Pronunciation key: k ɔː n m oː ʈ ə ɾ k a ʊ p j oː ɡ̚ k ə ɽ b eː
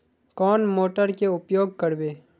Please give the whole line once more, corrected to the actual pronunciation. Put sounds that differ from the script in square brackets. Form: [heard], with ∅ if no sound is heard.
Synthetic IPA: k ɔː n m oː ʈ ə ɾ k [e] ʊ p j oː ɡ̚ k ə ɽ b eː